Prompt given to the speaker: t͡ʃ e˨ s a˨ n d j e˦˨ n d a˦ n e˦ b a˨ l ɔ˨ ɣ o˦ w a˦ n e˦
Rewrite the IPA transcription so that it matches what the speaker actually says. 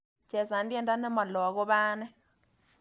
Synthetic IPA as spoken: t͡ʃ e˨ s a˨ n d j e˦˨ n d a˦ n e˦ m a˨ l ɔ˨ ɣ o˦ β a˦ n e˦

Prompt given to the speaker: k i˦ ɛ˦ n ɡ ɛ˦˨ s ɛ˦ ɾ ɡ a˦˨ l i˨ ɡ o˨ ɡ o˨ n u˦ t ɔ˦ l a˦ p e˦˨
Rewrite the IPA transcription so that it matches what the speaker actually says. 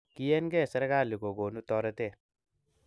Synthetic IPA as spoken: k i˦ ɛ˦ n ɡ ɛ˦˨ s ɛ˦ ɾ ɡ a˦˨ l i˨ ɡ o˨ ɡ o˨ n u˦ t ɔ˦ ɾ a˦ t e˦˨

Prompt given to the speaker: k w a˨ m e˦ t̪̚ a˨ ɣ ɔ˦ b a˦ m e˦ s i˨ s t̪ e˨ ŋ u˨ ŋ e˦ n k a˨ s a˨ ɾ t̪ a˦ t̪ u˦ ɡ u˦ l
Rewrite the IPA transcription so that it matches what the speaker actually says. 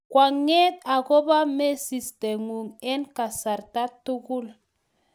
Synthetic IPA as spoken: k w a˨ ŋ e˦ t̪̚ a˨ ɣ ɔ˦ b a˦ m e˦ s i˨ s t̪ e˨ ŋ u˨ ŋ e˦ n k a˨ s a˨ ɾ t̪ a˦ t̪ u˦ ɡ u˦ l

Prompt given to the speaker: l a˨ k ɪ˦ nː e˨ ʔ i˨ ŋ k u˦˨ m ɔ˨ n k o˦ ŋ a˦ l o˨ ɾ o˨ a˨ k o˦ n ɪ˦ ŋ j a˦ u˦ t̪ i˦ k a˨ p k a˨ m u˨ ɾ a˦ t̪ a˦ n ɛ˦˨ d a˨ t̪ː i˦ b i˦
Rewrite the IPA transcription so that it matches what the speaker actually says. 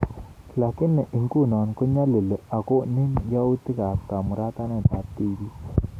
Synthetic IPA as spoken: l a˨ k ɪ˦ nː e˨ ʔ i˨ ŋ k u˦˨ n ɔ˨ n k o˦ ɲ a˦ l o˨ l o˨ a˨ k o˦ n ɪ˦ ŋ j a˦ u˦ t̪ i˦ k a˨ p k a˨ m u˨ ɾ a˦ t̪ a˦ n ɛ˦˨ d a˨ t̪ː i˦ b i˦

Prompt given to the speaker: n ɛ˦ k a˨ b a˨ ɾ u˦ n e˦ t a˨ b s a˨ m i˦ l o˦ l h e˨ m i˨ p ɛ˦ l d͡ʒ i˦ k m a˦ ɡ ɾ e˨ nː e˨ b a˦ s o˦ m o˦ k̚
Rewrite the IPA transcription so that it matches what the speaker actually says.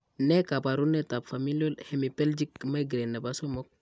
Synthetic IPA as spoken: n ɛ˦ k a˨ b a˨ ɾ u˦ n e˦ t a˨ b f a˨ m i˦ l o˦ l h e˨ m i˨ p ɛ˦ l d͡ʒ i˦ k m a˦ ɡ ɾ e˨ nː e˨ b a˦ s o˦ m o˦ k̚

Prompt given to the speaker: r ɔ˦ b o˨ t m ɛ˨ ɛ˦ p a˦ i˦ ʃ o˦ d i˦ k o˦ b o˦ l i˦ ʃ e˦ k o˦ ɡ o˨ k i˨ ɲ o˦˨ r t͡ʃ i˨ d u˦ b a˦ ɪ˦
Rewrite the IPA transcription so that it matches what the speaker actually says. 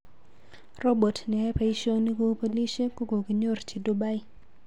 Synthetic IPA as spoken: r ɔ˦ b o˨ t n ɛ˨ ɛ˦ p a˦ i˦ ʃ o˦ n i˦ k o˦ p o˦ l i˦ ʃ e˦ k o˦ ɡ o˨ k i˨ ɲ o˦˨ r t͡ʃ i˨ d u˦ b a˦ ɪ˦

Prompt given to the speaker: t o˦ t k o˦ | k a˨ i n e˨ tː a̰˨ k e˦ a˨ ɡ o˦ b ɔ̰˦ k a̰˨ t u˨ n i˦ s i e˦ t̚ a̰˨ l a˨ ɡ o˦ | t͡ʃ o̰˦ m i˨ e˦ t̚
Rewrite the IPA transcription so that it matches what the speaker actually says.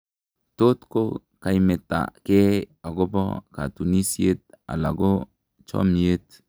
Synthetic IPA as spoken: t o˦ t k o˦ | k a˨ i m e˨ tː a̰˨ k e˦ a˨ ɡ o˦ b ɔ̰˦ k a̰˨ t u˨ n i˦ s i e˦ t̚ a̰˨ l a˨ ɡ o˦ | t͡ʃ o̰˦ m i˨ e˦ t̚

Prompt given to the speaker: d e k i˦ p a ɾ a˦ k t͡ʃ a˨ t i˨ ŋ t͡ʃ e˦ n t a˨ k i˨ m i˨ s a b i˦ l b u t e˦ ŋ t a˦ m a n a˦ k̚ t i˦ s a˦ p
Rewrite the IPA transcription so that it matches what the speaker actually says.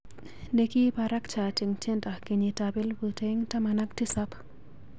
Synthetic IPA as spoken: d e k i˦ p a ɾ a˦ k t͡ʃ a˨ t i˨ ŋ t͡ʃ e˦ n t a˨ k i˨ ɲ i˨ t a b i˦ l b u t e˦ ŋ t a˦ m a n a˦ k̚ t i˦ s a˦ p

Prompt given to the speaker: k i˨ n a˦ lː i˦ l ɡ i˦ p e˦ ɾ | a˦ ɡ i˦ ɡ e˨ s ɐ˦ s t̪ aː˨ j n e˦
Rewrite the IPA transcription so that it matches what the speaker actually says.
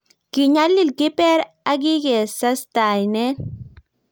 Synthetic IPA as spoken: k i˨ ɲ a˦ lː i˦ l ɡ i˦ p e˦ ɾ | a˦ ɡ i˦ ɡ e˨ s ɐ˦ s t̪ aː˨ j n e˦

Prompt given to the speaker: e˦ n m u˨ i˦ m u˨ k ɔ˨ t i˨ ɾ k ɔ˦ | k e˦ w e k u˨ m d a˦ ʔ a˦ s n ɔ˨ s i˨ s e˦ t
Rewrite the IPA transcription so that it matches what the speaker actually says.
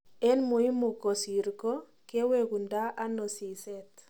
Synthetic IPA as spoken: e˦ n m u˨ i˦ m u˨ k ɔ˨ s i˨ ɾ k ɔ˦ | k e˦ w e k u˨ n d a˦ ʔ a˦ n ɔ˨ s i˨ s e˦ t

